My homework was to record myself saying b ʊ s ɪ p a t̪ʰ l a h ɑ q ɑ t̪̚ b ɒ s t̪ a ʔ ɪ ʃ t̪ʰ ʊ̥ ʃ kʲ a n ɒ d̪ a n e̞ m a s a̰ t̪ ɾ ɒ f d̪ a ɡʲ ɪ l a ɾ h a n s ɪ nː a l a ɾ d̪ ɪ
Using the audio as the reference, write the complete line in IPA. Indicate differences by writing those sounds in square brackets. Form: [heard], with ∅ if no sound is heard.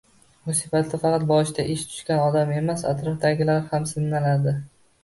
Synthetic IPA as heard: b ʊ s ɪ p a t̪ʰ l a [f] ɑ q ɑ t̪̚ b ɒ [ʃ] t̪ a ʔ ɪ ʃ t̪ʰ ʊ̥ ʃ kʲ a n ɒ d̪ a [m] e̞ m a s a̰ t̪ ɾ ɒ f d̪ a ɡʲ ɪ l a ɾ h a [m] s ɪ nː a l a ɾ d̪ ɪ